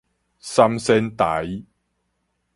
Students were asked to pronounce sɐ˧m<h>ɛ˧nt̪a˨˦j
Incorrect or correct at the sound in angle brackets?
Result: incorrect: s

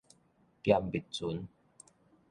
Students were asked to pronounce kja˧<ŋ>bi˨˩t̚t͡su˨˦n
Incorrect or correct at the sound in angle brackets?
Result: incorrect: m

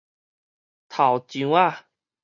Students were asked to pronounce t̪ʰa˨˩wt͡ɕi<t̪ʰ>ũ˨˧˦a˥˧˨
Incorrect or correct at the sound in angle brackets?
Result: incorrect: none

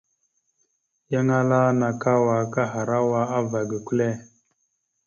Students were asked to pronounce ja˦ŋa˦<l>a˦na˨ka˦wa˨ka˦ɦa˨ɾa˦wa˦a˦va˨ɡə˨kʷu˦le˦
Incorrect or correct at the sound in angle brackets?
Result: correct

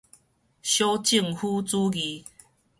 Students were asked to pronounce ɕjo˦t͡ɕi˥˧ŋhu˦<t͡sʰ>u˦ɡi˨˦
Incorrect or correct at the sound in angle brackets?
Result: incorrect: t͡s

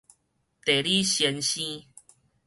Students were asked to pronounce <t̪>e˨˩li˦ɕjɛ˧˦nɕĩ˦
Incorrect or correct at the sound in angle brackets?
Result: correct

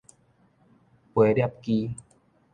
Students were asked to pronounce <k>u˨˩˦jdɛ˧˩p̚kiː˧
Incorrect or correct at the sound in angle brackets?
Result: incorrect: p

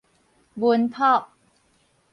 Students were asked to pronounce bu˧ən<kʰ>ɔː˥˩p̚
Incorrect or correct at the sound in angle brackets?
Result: incorrect: pʰ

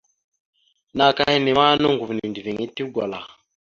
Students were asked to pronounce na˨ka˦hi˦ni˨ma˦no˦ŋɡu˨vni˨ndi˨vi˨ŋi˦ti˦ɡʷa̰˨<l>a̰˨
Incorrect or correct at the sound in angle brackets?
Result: correct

